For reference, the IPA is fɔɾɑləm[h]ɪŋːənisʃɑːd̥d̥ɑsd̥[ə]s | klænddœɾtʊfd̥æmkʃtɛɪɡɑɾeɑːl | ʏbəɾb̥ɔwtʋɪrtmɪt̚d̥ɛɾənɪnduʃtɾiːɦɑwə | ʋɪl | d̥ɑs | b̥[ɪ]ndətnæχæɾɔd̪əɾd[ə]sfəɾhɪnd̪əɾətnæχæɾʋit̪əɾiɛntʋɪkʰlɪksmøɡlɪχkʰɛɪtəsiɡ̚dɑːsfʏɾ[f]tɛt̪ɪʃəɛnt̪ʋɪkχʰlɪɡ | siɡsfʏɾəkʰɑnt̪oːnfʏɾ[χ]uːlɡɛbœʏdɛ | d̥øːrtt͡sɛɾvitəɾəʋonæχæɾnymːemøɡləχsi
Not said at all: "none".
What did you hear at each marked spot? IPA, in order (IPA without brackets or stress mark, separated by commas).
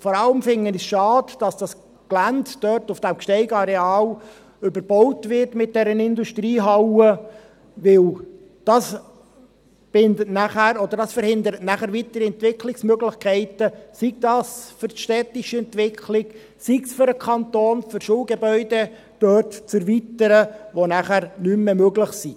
f, ɑ, ɪ, ɑ, ʃ, ʃ